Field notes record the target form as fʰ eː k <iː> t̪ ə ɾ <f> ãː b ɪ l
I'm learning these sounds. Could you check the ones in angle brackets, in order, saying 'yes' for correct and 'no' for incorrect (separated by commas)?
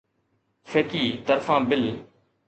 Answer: yes, yes